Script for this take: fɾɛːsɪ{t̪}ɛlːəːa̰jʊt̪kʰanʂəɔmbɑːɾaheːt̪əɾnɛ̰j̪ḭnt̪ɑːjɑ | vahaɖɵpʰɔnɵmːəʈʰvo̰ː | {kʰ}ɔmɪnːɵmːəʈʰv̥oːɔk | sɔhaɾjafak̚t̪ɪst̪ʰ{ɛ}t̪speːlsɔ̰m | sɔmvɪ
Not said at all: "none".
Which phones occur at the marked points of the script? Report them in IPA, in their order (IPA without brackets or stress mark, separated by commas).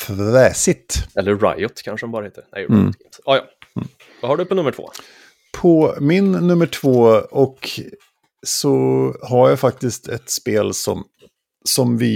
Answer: t̪, pʰ, ɛ